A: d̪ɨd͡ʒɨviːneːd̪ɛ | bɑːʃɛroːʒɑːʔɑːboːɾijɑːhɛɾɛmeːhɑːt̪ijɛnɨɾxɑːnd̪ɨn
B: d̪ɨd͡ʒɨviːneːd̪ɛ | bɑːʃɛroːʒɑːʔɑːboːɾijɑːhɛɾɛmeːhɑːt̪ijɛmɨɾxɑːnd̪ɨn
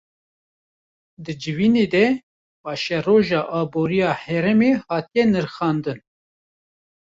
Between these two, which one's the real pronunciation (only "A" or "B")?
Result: A